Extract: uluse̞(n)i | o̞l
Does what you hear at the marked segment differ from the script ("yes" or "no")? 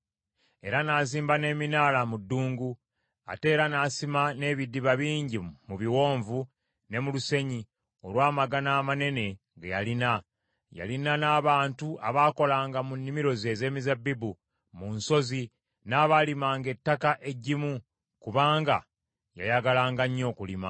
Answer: yes